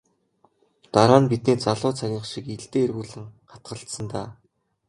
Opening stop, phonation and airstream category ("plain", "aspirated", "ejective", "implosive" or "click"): plain